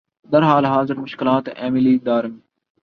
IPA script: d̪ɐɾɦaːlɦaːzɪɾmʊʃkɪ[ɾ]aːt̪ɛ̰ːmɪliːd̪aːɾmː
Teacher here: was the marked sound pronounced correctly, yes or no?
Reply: no